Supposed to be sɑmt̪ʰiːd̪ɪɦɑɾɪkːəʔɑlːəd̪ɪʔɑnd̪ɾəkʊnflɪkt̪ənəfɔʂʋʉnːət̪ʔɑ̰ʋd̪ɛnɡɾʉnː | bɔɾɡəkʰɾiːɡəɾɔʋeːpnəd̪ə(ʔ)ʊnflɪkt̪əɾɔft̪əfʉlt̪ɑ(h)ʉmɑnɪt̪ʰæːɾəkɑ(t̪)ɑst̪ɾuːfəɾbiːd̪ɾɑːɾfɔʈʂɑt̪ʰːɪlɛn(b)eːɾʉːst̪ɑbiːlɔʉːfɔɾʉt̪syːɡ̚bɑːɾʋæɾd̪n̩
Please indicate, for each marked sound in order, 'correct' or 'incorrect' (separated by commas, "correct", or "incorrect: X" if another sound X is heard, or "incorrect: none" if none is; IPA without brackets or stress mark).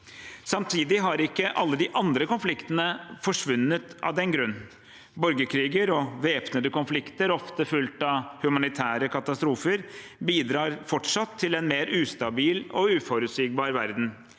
incorrect: k, correct, correct, incorrect: m